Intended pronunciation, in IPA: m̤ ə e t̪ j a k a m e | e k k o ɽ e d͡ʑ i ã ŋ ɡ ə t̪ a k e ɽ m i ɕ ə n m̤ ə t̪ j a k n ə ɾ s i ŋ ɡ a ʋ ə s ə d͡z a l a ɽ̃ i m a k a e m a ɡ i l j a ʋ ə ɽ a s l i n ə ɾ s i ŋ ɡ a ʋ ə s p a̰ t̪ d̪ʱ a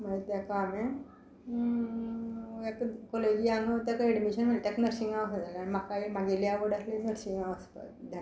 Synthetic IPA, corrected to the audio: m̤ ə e t̪ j a k a m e | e k k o l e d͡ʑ i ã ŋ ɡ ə t̪ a k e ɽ m i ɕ ə n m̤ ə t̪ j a k n ə ɾ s i ŋ ɡ a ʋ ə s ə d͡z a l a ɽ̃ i m a k a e m a ɡ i l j a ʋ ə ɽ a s l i n ə ɾ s i ŋ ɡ a ʋ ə s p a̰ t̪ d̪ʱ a